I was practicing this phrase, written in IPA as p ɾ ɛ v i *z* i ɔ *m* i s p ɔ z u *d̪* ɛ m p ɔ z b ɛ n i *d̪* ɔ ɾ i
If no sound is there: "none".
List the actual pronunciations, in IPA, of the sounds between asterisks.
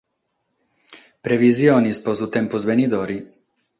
z, n, t̪, d̪

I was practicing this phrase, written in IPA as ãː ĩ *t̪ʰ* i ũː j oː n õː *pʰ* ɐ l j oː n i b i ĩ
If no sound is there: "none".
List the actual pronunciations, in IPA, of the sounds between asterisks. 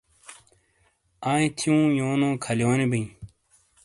t̪ʰ, kʰ

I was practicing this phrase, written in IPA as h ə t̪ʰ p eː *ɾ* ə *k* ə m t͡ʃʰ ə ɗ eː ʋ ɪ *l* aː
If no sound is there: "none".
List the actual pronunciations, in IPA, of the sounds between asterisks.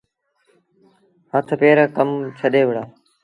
ɾ, k, ɽ

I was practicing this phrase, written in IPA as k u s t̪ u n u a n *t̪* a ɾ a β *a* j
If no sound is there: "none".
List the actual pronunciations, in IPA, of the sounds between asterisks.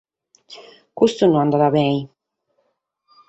d̪, ɛ

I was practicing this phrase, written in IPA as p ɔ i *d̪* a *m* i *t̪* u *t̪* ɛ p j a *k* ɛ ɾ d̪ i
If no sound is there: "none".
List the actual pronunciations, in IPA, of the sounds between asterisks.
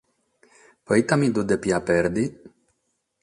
t̪, m, d̪, d̪, p

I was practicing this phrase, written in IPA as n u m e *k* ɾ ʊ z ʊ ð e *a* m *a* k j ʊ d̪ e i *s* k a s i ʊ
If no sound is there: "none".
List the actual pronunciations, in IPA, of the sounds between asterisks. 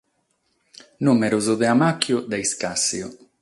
none, a, a, s

